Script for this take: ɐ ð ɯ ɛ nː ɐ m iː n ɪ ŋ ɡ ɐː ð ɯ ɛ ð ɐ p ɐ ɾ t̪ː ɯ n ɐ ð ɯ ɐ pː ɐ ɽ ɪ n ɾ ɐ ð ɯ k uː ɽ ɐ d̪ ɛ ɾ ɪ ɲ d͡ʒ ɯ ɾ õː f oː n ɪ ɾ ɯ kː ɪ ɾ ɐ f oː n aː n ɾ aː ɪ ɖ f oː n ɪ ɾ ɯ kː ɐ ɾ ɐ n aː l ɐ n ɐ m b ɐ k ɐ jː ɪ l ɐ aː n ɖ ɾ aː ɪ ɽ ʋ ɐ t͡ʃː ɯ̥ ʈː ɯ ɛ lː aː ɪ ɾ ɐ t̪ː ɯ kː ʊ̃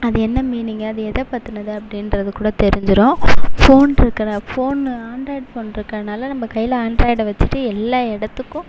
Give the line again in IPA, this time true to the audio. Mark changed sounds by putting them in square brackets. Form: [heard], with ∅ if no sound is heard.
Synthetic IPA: ɐ ð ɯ ɛ nː ɐ m iː n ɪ ŋ ɡ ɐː ð ɯ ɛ ð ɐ p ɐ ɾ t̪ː ɯ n ɐ ð ɯ ɐ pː ɐ ɽ ɪ n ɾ ɐ ð ɯ k uː ɽ ɐ [t̪] ɛ ɾ ɪ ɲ d͡ʒ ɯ ɾ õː f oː n ɪ ɾ ɯ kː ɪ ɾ ɐ f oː n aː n ɾ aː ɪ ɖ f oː n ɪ ɾ ɯ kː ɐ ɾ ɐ n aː l ɐ n ɐ m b ɐ k ɐ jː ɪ l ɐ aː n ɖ ɾ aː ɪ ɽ ʋ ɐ t͡ʃː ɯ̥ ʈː ɯ ɛ lː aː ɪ [ɽ] ɐ t̪ː ɯ kː ʊ̃

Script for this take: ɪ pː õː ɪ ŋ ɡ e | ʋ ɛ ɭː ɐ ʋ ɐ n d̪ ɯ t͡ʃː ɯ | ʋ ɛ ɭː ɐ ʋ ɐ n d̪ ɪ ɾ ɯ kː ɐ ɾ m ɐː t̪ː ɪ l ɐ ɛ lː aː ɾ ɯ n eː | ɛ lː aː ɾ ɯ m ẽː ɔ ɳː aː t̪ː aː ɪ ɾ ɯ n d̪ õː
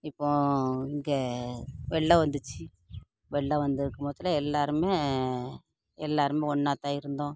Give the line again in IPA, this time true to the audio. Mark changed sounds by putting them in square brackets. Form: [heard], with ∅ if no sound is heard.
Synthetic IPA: ɪ pː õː ɪ ŋ ɡ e | ʋ ɛ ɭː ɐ ʋ ɐ n d̪ ɯ t͡ʃː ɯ | ʋ ɛ ɭː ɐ ʋ ɐ n d̪ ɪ ɾ ɯ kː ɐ [∅] m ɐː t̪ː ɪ l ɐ ɛ lː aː ɾ ɯ [m] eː | ɛ lː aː ɾ ɯ m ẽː ɔ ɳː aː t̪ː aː ɪ ɾ ɯ n d̪ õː

